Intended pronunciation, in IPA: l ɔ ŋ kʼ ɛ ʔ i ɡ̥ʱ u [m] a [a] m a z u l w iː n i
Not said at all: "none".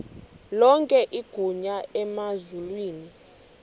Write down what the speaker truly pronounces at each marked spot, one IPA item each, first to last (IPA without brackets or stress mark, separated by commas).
ɲ, ɛ